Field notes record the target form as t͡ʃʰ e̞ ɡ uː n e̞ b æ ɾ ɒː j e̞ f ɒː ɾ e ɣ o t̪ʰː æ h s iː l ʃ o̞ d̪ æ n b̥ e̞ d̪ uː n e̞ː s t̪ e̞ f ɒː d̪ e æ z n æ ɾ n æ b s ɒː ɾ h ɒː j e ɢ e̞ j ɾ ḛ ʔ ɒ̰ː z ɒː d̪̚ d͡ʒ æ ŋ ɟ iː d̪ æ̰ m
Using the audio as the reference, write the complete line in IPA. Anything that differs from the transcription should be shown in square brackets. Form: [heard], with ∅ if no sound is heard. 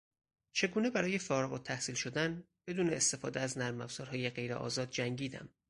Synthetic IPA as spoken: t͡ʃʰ e̞ ɡ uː n e̞ b æ ɾ ɒː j e̞ f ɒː ɾ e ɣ o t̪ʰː æ h s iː l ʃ o̞ d̪ æ n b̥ e̞ d̪ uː n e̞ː s t̪ e̞ f ɒː d̪ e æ z n æ ɾ [m] æ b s ɒː ɾ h ɒː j e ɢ e̞ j ɾ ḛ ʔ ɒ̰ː z ɒː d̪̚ d͡ʒ æ ŋ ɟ iː d̪ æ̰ m